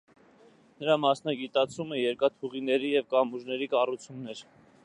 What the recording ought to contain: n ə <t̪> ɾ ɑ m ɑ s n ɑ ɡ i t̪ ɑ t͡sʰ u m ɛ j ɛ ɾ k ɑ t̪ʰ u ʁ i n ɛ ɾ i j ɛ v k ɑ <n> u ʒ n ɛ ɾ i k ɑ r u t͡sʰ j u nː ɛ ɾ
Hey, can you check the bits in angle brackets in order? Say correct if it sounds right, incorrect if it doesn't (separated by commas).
incorrect, incorrect